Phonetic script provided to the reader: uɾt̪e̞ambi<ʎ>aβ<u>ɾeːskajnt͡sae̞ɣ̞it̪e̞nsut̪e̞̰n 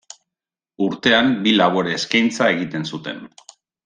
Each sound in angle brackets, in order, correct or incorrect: incorrect, incorrect

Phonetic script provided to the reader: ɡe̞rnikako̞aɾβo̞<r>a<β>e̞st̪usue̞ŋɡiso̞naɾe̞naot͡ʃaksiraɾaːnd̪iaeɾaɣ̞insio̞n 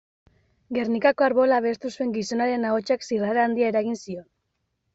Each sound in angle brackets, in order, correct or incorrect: incorrect, correct

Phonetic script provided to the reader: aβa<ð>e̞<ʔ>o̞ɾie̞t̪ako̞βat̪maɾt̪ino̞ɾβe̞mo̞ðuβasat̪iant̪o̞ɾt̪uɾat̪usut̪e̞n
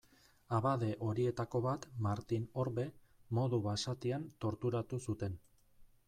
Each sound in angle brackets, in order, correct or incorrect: correct, correct

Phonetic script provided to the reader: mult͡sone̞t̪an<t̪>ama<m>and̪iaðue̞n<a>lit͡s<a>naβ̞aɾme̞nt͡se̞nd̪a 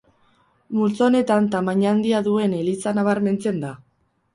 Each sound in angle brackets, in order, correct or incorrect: correct, incorrect, incorrect, correct

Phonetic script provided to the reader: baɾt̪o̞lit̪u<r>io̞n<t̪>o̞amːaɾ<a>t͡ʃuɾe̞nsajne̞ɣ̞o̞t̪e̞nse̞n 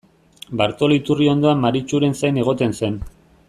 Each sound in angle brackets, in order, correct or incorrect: correct, incorrect, incorrect

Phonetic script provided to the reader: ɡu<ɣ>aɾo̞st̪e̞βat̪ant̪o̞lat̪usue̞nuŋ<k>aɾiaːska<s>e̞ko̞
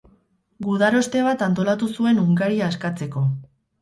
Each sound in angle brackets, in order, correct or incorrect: incorrect, incorrect, incorrect

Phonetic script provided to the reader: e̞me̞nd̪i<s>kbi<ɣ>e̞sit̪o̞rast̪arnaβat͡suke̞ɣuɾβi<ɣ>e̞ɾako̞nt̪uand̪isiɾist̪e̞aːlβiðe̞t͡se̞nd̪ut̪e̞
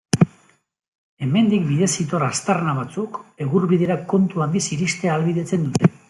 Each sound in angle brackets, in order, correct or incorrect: incorrect, incorrect, incorrect

